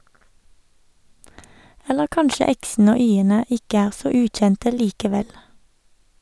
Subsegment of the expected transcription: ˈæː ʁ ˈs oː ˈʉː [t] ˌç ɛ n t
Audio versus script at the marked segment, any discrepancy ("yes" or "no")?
no